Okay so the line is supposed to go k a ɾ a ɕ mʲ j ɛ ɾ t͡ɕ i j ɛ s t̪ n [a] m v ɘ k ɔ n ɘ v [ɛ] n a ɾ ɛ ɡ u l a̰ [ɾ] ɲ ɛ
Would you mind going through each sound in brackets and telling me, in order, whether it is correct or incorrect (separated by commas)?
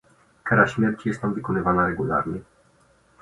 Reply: correct, incorrect, correct